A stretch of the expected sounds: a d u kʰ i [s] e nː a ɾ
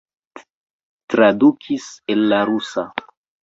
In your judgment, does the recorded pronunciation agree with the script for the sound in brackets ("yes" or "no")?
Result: yes